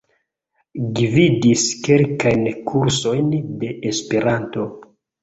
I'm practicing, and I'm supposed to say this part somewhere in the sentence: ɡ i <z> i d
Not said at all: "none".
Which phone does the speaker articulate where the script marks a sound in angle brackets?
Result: v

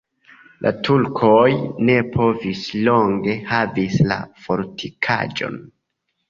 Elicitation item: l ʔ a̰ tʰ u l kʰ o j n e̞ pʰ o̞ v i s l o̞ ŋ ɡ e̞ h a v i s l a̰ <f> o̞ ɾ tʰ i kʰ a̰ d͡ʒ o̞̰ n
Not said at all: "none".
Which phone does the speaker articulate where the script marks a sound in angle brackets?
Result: f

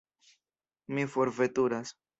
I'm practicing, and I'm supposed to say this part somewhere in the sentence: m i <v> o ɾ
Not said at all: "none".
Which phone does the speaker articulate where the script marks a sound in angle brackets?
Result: f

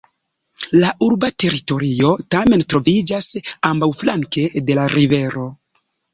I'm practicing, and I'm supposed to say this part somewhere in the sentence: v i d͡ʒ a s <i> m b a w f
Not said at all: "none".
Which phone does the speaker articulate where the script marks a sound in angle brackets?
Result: a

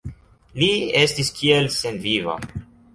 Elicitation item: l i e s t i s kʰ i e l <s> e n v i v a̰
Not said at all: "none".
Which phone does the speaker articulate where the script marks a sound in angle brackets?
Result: s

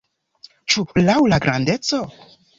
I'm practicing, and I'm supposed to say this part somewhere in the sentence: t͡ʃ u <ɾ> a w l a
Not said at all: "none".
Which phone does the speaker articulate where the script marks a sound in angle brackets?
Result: l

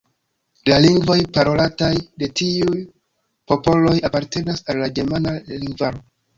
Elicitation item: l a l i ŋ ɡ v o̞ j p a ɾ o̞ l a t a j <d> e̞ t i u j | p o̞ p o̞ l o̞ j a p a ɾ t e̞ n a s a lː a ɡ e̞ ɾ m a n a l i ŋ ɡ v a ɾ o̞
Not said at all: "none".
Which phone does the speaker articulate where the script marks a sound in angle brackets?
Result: d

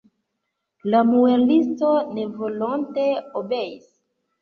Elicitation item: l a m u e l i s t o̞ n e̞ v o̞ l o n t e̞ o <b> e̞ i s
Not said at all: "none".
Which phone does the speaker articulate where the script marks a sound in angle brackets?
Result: b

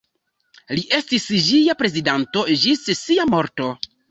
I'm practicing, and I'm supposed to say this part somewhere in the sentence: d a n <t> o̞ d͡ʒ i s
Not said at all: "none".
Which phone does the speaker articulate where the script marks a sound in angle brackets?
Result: t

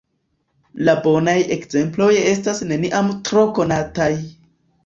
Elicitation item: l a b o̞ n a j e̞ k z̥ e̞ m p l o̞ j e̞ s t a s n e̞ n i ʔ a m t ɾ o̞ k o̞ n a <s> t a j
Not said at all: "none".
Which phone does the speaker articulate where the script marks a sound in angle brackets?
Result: none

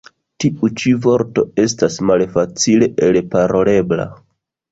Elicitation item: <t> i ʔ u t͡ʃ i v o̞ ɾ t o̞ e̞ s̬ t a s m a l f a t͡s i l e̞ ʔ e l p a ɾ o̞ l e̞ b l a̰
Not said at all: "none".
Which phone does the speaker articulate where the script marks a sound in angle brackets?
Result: t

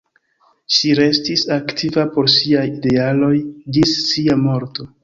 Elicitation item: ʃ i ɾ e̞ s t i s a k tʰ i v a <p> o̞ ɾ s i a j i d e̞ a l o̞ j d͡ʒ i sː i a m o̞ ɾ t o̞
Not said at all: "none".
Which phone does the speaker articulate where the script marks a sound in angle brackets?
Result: p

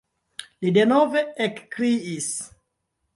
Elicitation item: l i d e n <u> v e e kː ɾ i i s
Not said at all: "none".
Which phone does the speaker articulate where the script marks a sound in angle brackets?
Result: o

